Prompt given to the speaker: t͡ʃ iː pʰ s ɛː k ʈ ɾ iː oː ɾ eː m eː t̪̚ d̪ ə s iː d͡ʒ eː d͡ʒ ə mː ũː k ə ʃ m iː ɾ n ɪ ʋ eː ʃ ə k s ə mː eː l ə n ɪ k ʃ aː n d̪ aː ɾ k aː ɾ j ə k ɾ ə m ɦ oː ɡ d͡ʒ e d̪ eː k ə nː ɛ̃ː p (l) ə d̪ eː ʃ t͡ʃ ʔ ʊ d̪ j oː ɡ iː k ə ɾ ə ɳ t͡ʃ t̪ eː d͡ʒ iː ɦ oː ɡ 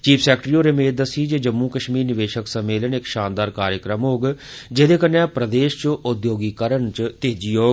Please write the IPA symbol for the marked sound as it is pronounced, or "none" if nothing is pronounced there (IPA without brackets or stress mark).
ɾ